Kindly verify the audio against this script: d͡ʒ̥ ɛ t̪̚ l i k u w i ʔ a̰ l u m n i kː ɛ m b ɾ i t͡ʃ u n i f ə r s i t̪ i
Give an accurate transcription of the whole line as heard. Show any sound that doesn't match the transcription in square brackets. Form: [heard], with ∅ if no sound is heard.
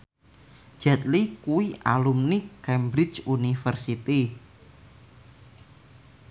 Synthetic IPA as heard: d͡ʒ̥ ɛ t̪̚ l i k u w i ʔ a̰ l u m n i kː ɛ m b ɾ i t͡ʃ u n i f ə r s i t̪ i